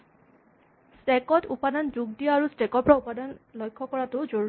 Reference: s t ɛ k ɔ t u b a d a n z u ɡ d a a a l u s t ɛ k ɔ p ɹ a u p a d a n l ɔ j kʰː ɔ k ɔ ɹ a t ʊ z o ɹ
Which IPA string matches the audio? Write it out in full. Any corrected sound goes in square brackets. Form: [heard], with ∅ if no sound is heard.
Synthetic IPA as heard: s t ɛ k ɔ t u [p] a d a n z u ɡ d [i] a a [ɹ] u s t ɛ k ɔ p ɹ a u p a d a n l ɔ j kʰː ɔ k ɔ ɹ a t ʊ z o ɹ